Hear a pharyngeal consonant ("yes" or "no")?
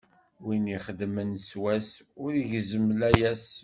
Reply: no